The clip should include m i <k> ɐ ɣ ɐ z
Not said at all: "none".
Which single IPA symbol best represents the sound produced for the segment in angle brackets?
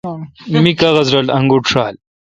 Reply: k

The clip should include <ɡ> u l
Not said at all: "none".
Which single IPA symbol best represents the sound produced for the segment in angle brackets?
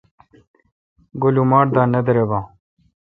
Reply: ɡ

